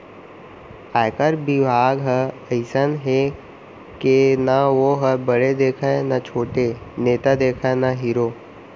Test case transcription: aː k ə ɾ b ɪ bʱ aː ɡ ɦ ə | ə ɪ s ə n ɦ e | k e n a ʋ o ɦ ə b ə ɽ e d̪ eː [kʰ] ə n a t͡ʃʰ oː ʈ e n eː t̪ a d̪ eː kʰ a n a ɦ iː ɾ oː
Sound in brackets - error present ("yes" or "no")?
no